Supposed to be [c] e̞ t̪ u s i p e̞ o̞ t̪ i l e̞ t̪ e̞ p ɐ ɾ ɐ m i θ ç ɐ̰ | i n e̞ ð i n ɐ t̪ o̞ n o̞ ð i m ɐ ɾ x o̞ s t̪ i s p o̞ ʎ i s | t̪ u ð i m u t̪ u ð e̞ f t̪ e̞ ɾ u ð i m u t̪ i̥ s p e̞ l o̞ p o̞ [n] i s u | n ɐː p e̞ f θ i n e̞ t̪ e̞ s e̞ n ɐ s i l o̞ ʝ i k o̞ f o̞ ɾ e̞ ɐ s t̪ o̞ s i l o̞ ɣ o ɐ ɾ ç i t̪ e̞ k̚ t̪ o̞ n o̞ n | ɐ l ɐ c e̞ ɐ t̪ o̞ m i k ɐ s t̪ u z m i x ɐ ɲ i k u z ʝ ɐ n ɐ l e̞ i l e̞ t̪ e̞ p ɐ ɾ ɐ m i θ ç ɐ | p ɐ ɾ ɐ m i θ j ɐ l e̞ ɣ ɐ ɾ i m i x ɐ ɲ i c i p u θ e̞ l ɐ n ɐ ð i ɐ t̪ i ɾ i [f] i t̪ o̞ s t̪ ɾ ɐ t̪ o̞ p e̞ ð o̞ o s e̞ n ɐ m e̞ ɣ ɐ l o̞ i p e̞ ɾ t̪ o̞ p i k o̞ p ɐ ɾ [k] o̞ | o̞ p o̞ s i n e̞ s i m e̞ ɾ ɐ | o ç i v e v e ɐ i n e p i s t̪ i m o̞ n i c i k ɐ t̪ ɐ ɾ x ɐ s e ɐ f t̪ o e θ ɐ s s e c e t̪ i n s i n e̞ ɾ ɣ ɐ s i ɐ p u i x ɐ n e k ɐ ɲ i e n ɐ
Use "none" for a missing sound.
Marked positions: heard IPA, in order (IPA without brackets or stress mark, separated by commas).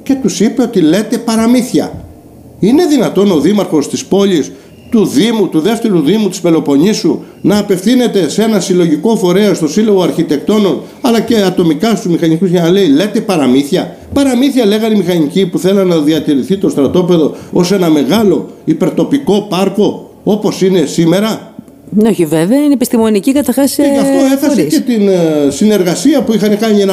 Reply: c, ɲ, θ, k